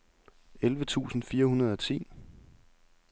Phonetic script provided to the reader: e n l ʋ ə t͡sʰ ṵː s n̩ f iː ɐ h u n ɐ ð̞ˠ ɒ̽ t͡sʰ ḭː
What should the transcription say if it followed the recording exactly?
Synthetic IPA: e l ʋ ə t͡sʰ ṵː s n̩ f iː ɐ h u n ɐ ð̞ˠ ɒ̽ t͡sʰ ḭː

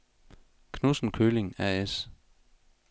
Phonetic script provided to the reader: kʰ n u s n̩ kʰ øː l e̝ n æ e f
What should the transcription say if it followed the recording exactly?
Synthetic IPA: kʰ n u s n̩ kʰ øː l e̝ ŋ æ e s

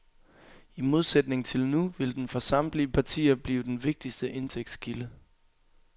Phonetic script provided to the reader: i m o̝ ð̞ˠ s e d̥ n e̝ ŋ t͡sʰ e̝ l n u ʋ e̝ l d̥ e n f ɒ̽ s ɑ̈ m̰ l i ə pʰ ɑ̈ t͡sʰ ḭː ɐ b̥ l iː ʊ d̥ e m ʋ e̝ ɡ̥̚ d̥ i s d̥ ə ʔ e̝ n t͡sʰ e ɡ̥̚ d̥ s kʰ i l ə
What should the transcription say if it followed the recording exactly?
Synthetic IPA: i m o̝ ð̞ˠ s e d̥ n e̝ ŋ t͡sʰ e̝ l n u ʋ e̝ l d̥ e n f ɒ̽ s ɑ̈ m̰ l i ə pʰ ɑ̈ t͡sʰ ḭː ɐ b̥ l iː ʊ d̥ e n ʋ e̝ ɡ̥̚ d̥ i s d̥ ə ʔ e̝ n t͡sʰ e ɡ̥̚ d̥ s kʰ i l ə

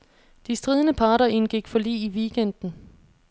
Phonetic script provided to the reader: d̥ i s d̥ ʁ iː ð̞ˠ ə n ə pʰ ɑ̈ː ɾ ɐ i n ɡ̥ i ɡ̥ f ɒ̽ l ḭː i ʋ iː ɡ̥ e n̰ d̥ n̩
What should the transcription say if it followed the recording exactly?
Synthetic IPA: d̥ i s d̥ ʁ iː ð̞ˠ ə n ə pʰ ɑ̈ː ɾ ɐ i n ɡ̥ i ɡ̥ f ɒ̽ l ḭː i ʋ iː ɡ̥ e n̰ d̥ n̩

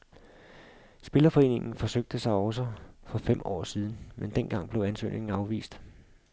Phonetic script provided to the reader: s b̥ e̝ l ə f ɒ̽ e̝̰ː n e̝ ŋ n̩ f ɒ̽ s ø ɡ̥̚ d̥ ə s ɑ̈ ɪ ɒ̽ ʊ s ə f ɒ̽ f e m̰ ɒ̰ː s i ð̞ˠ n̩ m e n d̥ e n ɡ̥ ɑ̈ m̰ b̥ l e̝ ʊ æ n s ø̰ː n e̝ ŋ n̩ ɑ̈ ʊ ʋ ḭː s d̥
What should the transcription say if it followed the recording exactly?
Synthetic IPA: s b̥ e̝ l ɐ f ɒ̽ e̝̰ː n e̝ ŋ n̩ f ɒ̽ s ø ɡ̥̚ d̥ ə s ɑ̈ ɪ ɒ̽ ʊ s ə f ɒ̽ f e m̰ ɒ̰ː s i ð̞ˠ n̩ m e n d̥ e n ɡ̥ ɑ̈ ŋ̰ b̥ l e̝ ʊ æ n s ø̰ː n e̝ ŋ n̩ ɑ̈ ʊ ʋ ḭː s d̥

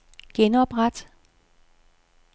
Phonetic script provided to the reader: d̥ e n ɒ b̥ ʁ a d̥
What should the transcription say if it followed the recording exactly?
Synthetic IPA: ɡ̥ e n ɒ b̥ ʁ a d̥

